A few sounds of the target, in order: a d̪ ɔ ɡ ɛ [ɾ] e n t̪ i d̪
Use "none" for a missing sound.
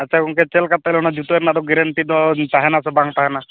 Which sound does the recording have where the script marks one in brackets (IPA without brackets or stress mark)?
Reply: ɾ